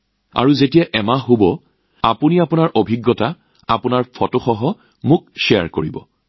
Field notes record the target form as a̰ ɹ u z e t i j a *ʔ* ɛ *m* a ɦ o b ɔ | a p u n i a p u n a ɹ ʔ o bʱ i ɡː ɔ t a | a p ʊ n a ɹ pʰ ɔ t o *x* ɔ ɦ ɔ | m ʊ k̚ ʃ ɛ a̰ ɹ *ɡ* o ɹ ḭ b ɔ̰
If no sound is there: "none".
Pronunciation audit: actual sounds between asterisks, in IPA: ʔ, m, x, k

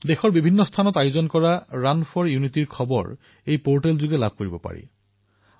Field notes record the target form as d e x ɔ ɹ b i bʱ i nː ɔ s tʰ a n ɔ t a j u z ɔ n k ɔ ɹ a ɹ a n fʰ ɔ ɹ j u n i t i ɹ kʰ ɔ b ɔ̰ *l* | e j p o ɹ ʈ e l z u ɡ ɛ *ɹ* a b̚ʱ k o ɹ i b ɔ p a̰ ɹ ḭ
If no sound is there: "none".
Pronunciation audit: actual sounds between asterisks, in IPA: ɹ, l

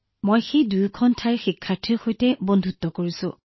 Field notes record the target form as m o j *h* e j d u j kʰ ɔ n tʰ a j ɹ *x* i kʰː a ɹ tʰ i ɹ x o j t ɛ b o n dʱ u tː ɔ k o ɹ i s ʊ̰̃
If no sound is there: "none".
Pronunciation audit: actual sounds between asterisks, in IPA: x, x

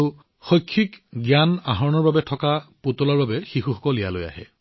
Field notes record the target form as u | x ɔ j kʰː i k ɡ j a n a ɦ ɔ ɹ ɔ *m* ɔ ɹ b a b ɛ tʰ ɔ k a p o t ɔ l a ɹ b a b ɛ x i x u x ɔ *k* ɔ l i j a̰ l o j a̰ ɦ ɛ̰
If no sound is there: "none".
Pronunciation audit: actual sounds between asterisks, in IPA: n, k

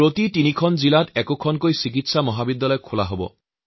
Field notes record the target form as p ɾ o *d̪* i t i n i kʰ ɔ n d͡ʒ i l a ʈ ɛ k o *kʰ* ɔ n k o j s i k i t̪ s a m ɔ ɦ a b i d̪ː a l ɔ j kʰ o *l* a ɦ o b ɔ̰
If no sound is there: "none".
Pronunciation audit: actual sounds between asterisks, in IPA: t̪, kʰ, l

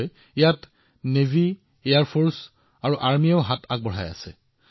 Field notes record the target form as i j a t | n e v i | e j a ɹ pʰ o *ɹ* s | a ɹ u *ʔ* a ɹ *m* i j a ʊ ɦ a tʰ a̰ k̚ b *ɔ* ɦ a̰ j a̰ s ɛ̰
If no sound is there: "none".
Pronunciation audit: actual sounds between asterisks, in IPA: ɹ, ʔ, m, ɔ

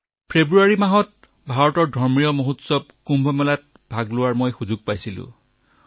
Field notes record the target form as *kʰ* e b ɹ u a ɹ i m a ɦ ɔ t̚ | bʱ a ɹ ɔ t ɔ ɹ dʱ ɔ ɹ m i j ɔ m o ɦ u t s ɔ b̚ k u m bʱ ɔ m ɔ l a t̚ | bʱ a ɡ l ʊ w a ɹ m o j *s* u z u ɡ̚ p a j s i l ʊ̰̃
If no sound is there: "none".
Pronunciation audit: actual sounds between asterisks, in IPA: pʰ, x

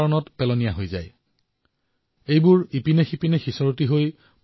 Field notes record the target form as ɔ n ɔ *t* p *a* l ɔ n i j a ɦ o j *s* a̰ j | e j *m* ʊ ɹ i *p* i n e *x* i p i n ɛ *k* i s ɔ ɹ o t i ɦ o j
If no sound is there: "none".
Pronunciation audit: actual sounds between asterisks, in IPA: t, ɛ, z, b, p, x, x

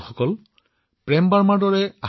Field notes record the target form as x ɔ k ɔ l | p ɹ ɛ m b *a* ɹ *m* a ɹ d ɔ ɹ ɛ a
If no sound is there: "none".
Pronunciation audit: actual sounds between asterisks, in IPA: a, m

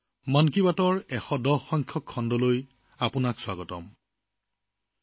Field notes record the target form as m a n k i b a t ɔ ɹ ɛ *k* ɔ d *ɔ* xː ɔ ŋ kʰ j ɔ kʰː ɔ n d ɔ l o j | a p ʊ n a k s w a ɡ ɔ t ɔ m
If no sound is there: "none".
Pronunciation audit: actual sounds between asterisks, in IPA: x, ɔ

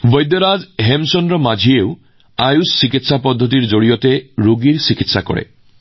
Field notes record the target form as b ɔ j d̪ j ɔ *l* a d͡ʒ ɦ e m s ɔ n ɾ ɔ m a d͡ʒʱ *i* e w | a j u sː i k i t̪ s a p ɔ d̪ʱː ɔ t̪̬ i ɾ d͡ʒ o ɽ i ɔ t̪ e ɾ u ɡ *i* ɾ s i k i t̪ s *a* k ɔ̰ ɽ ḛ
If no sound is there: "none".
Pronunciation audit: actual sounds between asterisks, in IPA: ɾ, i, i, a

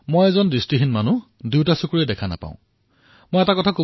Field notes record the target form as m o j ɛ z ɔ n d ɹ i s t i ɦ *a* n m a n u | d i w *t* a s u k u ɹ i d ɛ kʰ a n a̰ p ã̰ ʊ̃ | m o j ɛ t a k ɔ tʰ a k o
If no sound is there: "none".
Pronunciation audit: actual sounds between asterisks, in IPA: i, t

